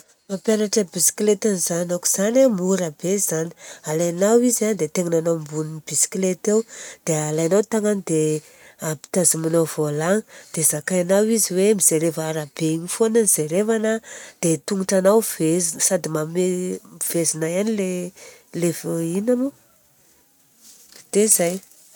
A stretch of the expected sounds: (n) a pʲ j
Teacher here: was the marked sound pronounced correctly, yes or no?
no